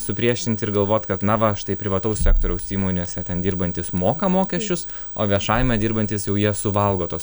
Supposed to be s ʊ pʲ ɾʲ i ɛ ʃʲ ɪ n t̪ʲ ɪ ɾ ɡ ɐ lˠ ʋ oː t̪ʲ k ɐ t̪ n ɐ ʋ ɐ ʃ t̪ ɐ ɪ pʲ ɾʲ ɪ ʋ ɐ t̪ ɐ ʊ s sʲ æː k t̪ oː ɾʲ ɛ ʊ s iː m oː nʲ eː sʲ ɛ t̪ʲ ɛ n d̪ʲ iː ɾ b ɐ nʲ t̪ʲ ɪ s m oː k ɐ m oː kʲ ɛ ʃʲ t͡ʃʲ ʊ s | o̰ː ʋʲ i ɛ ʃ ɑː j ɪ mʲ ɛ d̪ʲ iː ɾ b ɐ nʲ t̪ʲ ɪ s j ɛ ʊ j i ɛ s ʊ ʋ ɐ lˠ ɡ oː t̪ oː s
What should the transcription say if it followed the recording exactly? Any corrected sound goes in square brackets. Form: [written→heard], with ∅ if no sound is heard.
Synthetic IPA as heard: s ʊ pʲ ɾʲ i ɛ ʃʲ ɪ n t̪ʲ ɪ ɾ ɡ ɐ lˠ ʋ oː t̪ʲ k ɐ t̪ n ɐ ʋ ɐ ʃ t̪ ɐ ɪ pʲ ɾʲ ɪ ʋ ɐ t̪ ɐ ʊ s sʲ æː k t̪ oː ɾʲ ɛ ʊ s iː m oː nʲ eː sʲ ɛ t̪ʲ ɛ n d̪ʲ iː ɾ b ɐ nʲ t̪ʲ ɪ s m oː k ɐ m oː kʲ ɛ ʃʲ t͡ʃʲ ʊ s | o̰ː ʋʲ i ɛ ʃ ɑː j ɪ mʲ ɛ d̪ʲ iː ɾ b ɐ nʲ t̪ʲ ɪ s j ɛ ʊ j i ɛ s ʊ ʋ ɐ lˠ ɡ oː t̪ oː s